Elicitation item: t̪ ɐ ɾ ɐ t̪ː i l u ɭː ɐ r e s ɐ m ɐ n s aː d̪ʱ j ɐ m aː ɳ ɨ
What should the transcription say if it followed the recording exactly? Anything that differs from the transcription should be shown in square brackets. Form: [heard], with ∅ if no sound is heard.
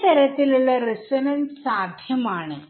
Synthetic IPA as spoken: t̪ ɐ ɾ ɐ t̪ː i l u ɭː ɐ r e s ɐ [n] ɐ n s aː d̪ʱ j ɐ m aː ɳ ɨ